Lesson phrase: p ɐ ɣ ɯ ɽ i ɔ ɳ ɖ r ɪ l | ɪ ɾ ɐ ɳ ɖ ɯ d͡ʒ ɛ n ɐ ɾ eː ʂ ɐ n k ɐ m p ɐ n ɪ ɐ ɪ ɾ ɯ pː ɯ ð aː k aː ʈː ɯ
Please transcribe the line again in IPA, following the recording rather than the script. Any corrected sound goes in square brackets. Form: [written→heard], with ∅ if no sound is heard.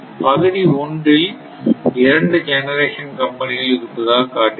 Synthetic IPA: p ɐ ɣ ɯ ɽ i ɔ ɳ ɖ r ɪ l | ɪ ɾ ɐ ɳ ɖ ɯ d͡ʒ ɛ n ɐ ɾ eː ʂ ɐ n k ɐ m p ɐ n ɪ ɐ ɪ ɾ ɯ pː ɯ ð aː k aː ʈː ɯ